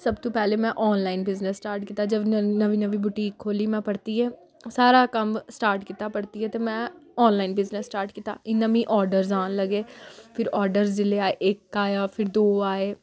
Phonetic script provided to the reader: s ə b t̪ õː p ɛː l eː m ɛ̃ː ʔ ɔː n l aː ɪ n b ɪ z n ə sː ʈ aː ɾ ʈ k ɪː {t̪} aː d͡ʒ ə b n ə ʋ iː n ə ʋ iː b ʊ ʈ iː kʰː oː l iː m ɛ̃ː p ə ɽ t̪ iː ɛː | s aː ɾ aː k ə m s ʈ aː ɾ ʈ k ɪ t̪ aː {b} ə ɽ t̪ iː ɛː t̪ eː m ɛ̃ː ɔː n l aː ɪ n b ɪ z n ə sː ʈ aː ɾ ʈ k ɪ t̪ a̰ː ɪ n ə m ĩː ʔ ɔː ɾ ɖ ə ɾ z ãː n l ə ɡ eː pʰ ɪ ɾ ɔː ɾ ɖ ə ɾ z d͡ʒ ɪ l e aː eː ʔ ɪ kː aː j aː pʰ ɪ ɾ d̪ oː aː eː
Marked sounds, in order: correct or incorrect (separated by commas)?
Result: correct, incorrect